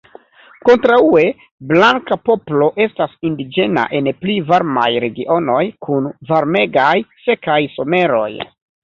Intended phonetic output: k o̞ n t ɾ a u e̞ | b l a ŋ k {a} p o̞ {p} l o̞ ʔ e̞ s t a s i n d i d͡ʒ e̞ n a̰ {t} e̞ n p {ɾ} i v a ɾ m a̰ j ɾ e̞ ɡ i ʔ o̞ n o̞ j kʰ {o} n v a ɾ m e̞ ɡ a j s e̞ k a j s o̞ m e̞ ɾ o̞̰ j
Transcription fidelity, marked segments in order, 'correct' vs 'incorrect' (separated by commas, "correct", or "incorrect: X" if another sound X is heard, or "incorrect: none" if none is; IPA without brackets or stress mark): correct, correct, incorrect: ʔ, incorrect: l, incorrect: u